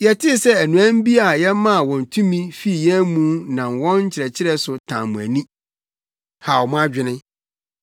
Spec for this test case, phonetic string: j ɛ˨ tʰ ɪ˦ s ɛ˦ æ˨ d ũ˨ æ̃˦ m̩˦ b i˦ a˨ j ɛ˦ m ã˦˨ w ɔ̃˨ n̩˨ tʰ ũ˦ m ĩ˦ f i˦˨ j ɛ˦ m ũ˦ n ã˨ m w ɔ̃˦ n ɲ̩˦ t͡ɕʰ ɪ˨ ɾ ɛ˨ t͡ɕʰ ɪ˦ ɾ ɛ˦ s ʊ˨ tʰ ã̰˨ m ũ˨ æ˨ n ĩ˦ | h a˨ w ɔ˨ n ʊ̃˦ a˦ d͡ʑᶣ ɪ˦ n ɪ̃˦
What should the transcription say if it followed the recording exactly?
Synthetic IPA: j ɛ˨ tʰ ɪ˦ s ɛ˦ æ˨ n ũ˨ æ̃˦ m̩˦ b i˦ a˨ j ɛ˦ m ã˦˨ w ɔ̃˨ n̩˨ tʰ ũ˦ m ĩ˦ f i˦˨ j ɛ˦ m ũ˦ n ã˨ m w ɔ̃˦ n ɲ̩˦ t͡ɕʰ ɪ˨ ɾ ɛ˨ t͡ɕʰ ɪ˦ ɾ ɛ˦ s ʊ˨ tʰ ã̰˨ m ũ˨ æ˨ n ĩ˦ | h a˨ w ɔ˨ m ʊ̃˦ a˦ d͡ʑᶣ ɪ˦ n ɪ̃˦